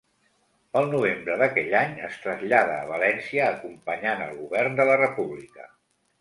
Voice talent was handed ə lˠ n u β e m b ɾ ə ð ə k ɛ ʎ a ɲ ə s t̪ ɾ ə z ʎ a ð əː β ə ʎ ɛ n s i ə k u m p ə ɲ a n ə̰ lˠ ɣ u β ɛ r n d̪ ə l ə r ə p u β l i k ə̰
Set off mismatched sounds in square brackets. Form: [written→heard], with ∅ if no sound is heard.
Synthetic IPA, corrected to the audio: ə lˠ n u β e m b ɾ ə ð ə k ɛ ʎ a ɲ ə s t̪ ɾ ə z ʎ a ð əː β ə [ʎ→l] ɛ n s i [ə→əː] k u m p ə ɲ a n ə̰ lˠ ɣ u β ɛ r n d̪ ə l ə r ə p u β l i k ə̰

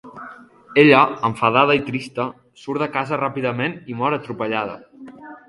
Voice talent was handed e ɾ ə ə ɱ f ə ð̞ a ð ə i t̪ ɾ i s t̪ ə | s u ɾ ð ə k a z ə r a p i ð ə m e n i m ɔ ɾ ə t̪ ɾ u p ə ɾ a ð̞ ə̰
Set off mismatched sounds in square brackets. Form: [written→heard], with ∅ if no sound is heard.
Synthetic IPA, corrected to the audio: e [ɾ→ʎ] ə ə ɱ f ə ð̞ a ð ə i t̪ ɾ i s t̪ ə | s u ɾ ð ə k a z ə r a p i ð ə m e n i m ɔ ɾ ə t̪ ɾ u p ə [ɾ→ʎ] a ð̞ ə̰

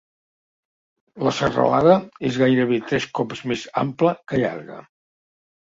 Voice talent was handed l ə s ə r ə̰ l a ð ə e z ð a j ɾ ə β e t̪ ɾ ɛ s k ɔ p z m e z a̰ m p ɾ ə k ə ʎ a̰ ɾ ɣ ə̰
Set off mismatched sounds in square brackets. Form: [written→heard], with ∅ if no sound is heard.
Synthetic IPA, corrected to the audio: l ə s ə r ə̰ l a ð ə e z [ð→ɣ] a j ɾ ə β e t̪ ɾ ɛ s k ɔ p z m e z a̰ m p [ɾ→l] ə k ə ʎ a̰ ɾ ɣ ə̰

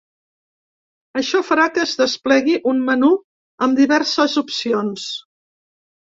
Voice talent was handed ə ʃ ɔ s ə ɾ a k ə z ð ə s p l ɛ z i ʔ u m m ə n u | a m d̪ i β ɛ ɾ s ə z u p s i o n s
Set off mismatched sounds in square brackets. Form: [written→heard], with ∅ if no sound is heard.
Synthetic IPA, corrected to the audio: ə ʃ ɔ [s→f] ə ɾ a k ə z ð ə s p l ɛ [z→ɣ] i ʔ u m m ə n u | [a→ə] m d̪ i β ɛ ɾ s ə z u p s i o n s

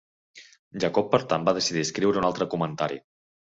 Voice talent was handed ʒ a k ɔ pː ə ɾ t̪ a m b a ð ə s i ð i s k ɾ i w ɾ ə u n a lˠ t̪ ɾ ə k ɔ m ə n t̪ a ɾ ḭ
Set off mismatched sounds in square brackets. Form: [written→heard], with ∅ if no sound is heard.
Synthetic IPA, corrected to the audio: ʒ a k ɔ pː ə ɾ t̪ a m b a ð ə s i ð i s k ɾ i w ɾ ə u n a lˠ t̪ ɾ ə k [ɔ→u] m ə n t̪ a ɾ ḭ

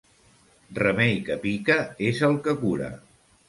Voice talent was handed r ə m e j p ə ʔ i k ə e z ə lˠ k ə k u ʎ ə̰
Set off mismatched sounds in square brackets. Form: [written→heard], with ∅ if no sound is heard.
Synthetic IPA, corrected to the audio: r ə m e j [p→k] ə [ʔ→p] i k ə e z ə lˠ k ə k u [ʎ→ɾ] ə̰

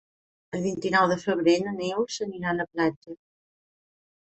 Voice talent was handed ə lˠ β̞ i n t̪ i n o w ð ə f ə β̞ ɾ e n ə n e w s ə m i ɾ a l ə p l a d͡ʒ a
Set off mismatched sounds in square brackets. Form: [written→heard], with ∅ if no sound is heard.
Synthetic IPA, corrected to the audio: ə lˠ β̞ i n t̪ i n [o→ɔ] w ð ə f ə β̞ ɾ e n ə n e w s ə [m→n] i ɾ a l ə p l a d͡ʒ [a→ə]

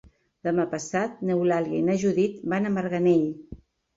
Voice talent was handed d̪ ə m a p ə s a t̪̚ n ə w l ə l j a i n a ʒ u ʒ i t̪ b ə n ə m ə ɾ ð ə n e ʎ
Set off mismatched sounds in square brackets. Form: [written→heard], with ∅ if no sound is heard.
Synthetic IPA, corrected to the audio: d̪ ə m a p ə s a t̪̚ n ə w l [ə→a] l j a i n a ʒ u [ʒ→ð] i t̪ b [ə→a] n ə m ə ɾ [ð→ɣ] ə n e ʎ

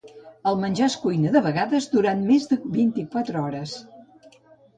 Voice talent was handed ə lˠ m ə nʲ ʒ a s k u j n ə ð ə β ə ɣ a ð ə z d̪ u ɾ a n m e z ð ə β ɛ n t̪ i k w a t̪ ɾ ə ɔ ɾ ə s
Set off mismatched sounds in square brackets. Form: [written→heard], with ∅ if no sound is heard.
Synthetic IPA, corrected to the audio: ə lˠ m ə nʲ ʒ a s k u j n ə ð ə β ə ɣ a ð ə z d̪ u ɾ a n m e z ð ə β [ɛ→i] n t̪ i k w a t̪ ɾ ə ɔ ɾ ə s

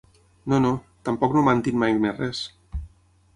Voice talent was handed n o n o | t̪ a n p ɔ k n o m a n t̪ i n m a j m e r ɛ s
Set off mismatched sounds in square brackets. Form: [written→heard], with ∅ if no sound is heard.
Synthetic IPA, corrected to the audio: n o n o | t̪ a [n→m] p ɔ k n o m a n t̪ i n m a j m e r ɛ s

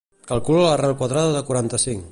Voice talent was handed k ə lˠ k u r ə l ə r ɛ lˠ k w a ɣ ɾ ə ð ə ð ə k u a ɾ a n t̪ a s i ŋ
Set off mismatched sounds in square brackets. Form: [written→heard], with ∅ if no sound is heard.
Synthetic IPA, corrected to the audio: k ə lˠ k u [r→l] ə l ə r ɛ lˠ k w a [ɣ→ð] ɾ [ə→a] ð ə ð ə k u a ɾ a n t̪ [a→ə] s i ŋ

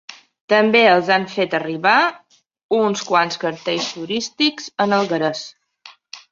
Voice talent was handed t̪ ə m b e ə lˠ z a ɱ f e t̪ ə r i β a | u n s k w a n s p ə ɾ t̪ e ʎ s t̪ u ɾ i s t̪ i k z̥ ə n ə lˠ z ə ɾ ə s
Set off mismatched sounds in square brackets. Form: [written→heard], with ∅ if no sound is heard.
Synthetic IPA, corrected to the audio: t̪ ə m b e ə lˠ z a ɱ f e t̪ ə r i β a | u n s k w a n s [p→k] ə ɾ t̪ e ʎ s t̪ u ɾ i s t̪ i k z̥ ə n ə lˠ [z→ɣ] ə ɾ ə s

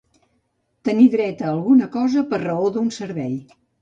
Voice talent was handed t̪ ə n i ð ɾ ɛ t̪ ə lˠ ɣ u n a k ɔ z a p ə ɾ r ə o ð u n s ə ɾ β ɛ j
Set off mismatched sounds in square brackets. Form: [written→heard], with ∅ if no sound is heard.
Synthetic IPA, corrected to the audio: t̪ ə n i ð ɾ ɛ t̪ [ə→əː] lˠ ɣ u n [a→ə] k ɔ z [a→ə] p ə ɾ r ə o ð u n s ə ɾ β ɛ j

